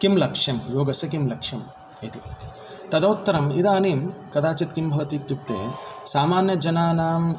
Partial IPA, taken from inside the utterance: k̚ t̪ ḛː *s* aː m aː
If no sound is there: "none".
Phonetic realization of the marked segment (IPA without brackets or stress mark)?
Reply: s